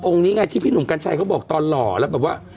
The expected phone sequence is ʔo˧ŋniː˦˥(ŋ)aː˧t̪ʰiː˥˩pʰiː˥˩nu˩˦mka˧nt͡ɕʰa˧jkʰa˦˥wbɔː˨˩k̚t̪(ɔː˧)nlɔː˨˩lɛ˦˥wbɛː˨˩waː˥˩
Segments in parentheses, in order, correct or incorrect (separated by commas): correct, correct